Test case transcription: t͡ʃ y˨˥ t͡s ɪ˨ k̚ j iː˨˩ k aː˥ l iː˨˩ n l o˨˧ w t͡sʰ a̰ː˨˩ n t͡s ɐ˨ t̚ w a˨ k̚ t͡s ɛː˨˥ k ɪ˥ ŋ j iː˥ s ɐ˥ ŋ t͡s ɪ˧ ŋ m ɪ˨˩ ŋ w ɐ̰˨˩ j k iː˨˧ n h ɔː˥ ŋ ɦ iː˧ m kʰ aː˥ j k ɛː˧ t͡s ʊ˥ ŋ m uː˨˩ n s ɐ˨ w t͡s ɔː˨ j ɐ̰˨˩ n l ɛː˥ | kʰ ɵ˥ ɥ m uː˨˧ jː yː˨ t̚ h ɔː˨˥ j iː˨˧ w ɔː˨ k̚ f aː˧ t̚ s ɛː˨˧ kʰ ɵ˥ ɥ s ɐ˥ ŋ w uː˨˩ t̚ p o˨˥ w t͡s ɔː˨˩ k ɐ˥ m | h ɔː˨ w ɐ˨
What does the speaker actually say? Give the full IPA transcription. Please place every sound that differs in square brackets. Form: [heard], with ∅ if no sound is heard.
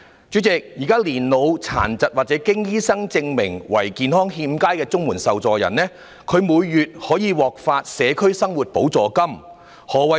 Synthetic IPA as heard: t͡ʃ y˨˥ t͡s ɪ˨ k̚ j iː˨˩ k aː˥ l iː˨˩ n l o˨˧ w t͡sʰ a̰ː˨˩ n t͡s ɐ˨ t̚ w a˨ [t̚] t͡s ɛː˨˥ k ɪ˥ ŋ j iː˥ s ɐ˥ ŋ t͡s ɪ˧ ŋ m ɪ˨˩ ŋ w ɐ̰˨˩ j k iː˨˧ n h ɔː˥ ŋ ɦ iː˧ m [k] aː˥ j k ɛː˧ t͡s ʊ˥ ŋ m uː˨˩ n s ɐ˨ w t͡s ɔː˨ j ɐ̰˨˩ n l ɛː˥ | kʰ [ɵ˨˧] ɥ m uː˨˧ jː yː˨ t̚ h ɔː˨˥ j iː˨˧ w ɔː˨ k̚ f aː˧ t̚ s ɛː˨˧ kʰ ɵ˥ ɥ s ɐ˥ ŋ w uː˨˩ t̚ p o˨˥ w t͡s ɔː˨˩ k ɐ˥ m | h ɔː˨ w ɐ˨